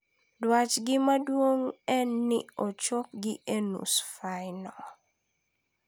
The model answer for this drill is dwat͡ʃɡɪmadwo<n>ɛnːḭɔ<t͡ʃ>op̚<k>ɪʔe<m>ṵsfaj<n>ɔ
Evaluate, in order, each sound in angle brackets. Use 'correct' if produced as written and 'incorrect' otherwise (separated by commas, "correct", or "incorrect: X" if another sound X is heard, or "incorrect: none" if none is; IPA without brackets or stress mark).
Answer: incorrect: ŋ, correct, incorrect: ɡ, incorrect: n, correct